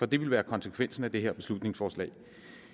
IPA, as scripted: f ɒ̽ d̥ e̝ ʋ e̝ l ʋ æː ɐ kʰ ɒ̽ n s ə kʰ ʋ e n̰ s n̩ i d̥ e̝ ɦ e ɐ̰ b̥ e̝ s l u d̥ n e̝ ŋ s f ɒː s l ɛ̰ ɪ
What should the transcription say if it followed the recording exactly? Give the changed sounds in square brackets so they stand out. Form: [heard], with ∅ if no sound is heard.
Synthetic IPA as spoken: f ɒ̽ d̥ e̝ ʋ e̝ l ʋ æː ɐ kʰ ɒ̽ n s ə kʰ ʋ e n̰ s n̩ [æ] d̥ e̝ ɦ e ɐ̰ b̥ e̝ s l u d̥ n e̝ ŋ s f ɒː s l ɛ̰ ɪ